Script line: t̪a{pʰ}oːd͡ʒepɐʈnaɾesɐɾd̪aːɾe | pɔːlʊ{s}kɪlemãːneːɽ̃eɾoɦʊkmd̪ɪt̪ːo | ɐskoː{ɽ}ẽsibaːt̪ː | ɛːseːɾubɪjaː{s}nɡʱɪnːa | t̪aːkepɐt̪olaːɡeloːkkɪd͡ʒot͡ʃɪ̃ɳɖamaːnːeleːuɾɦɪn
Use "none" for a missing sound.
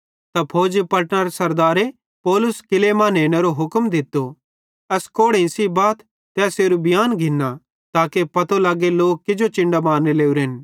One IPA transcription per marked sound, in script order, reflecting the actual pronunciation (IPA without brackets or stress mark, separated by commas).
pʰ, s, ɽ, none